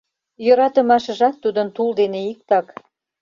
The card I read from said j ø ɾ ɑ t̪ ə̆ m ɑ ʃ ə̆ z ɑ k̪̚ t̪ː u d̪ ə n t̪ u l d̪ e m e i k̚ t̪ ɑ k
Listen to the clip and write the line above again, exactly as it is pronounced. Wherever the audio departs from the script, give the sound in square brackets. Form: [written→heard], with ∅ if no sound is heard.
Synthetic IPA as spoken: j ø ɾ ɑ t̪ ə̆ m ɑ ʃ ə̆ [z→ʒ] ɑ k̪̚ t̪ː u d̪ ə n t̪ u l d̪ e [m→n] e i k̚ t̪ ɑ k